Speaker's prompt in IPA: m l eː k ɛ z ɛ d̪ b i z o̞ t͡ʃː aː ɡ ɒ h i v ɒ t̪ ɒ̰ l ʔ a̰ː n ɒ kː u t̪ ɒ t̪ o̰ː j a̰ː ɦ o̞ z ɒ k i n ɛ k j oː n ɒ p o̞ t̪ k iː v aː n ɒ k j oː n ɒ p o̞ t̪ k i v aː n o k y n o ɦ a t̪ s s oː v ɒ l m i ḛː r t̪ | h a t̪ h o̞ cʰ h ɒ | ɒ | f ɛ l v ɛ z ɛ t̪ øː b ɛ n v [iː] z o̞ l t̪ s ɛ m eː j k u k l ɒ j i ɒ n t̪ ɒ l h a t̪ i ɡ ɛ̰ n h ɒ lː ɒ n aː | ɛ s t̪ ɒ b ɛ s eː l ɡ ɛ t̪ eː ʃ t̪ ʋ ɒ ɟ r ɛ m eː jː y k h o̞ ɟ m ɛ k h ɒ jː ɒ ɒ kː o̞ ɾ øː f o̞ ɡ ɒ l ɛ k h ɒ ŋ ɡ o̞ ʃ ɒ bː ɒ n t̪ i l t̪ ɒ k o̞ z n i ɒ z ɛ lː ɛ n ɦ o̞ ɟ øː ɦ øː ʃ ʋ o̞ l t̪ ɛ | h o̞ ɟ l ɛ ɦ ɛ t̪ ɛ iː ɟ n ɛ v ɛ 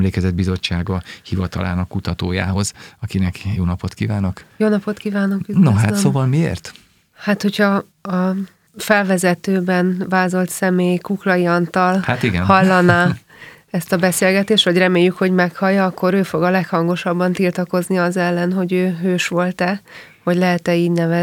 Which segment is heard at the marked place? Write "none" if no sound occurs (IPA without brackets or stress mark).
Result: aː